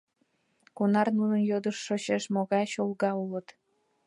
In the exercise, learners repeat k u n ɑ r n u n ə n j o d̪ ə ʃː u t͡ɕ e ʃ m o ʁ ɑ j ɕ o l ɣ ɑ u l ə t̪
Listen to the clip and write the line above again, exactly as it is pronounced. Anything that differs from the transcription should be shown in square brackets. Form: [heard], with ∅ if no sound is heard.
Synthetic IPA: k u n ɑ r n u n ə n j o d̪ ə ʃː [o] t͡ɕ e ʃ m o [ɣ] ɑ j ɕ o l ɣ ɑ u l ə t̪